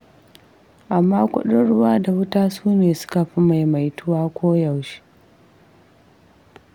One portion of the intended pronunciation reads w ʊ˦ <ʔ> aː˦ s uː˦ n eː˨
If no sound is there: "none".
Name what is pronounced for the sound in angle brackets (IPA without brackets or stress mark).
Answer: t